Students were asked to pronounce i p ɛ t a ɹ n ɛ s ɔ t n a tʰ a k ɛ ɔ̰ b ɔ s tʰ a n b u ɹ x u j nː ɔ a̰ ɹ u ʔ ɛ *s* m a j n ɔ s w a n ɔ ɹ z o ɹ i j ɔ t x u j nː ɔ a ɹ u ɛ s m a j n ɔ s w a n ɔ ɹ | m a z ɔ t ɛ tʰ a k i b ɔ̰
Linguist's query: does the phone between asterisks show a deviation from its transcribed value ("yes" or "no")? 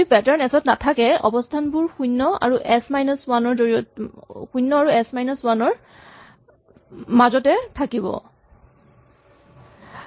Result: no